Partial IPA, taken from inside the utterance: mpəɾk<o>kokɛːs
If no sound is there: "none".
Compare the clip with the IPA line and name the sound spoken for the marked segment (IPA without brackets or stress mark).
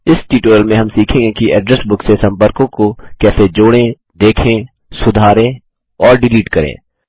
õ